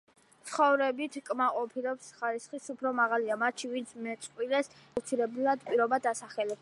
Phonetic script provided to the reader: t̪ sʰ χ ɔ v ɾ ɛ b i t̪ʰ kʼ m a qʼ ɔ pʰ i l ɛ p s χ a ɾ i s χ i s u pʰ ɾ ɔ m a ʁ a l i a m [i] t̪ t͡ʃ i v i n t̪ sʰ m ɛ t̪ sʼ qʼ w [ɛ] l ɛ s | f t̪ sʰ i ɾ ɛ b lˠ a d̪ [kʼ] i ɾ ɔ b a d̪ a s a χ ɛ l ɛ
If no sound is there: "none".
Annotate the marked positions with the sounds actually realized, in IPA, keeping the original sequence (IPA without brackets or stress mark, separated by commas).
a, i, pʼ